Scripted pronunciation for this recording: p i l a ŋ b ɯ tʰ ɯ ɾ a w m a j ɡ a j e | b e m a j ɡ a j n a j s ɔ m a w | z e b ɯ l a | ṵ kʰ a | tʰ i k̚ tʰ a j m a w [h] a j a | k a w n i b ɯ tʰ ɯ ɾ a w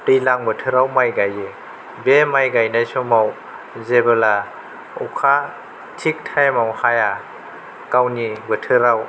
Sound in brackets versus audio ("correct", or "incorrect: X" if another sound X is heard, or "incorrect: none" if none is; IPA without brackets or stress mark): correct